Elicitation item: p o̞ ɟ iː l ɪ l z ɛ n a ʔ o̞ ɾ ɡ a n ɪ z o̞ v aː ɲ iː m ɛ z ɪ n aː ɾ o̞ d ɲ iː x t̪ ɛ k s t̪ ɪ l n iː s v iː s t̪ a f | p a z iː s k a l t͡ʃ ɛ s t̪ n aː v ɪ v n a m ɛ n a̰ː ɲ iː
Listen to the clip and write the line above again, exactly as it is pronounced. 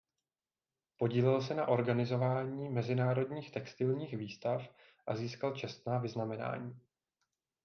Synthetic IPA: p o̞ ɟ iː l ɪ l s ɛ n a ʔ o̞ ɾ ɡ a n ɪ z o̞ v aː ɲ iː m ɛ z ɪ n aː ɾ o̞ d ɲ iː x t̪ ɛ k s t̪ ɪ l ɲ iː x v iː s t̪ a f | ʔ a z iː s k a l t͡ʃ ɛ s t̪ n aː v ɪ z n a m ɛ n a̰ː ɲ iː